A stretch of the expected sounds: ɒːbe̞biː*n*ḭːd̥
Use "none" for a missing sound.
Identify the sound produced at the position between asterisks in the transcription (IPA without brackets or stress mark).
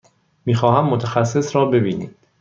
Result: n